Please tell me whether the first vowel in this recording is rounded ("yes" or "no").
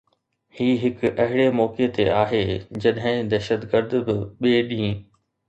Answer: no